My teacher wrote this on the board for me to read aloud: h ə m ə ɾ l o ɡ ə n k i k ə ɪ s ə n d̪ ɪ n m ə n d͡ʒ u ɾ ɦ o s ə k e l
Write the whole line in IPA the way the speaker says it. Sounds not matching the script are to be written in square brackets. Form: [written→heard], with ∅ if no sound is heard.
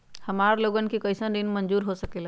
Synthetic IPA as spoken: h ə m [ə→a] ɾ l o ɡ ə n k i k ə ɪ s ə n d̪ [ɪ→i] n m ə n d͡ʒ u ɾ ɦ o s ə k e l